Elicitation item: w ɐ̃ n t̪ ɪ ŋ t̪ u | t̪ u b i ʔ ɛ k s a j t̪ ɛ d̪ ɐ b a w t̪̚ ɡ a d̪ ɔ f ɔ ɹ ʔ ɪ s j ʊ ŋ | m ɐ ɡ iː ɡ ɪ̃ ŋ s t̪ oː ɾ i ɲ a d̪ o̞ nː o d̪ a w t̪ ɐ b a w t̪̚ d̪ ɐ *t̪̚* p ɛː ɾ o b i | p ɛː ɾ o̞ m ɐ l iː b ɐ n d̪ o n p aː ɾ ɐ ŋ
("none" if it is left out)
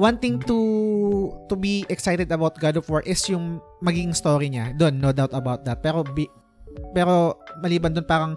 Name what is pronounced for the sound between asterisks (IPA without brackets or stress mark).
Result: t̪̚